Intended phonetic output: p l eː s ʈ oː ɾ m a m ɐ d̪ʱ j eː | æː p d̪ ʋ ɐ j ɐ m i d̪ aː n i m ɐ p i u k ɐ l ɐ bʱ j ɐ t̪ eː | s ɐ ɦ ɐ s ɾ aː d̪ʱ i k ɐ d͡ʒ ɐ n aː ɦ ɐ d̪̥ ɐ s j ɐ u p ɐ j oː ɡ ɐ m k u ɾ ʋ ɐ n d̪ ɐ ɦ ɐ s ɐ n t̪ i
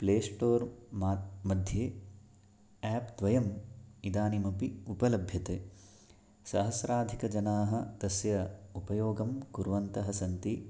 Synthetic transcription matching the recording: p l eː s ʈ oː ɾ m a m ɐ d̪ʱ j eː | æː p d̪ ʋ ɐ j ɐ m i d̪ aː n i m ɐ p i u p ɐ l ɐ bʱ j ɐ t̪ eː | s ɐ ɦ ɐ s ɾ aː d̪ʱ i k ɐ d͡ʒ ɐ n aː ɦ ɐ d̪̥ ɐ s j ɐ u p ɐ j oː ɡ ɐ m k u ɾ ʋ ɐ n t̪ ɐ ɦ ɐ s ɐ n t̪ i

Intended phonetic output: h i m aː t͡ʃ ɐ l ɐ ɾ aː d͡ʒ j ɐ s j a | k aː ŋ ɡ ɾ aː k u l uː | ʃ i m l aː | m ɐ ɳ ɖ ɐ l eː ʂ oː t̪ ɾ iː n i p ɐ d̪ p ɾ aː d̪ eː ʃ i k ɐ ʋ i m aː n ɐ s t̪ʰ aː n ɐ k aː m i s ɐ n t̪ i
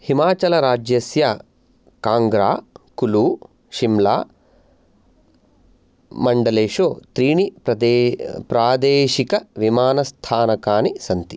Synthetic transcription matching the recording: h i m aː t͡ʃ ɐ l ɐ ɾ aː d͡ʒ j ɐ s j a | k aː ŋ ɡ ɾ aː k u l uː | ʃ i m l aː | m ɐ ɳ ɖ ɐ l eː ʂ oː t̪ ɾ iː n i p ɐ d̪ p ɾ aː d̪ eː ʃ i k ɐ ʋ i m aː n ɐ s t̪ʰ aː n ɐ k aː n i s ɐ n t̪ i

